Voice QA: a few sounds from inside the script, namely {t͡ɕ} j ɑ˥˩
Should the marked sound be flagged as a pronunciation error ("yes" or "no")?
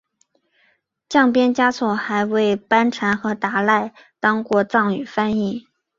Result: no